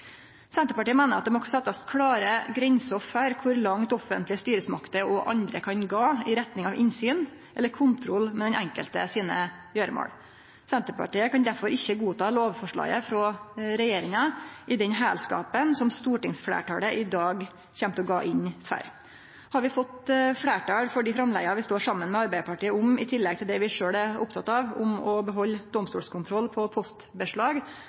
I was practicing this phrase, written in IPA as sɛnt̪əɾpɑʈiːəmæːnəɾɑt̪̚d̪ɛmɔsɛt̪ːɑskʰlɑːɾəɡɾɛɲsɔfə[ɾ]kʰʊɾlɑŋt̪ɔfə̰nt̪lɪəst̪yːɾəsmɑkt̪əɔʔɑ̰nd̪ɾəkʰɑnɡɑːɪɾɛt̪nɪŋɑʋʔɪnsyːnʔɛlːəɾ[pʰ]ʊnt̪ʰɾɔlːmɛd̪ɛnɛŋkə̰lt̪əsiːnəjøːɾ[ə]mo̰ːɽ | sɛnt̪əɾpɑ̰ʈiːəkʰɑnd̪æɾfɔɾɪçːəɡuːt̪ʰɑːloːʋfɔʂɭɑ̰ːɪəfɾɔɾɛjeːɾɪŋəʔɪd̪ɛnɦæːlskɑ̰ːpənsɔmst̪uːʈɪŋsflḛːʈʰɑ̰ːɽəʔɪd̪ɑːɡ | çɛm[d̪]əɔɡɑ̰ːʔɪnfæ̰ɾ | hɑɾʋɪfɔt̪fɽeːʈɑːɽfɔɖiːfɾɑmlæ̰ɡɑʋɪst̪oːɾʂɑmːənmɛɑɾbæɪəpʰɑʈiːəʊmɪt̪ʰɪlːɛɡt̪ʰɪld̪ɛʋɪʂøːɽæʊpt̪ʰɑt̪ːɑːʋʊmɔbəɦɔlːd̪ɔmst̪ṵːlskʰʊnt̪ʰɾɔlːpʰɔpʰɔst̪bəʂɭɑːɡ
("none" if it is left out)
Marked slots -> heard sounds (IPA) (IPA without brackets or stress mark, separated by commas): ɾ, kʰ, ə, t̪